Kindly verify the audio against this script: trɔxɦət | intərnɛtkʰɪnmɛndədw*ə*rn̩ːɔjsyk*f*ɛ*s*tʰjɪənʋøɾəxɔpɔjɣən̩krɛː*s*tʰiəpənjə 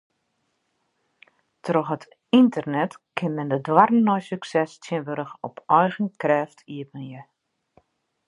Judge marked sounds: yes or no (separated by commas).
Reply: no, no, yes, no